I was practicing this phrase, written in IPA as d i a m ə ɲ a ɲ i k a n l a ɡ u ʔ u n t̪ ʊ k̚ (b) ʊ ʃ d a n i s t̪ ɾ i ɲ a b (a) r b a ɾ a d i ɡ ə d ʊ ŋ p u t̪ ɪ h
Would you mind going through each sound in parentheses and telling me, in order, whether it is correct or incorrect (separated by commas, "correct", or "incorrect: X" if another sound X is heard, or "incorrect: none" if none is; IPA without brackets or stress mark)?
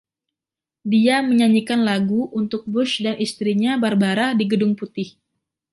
correct, correct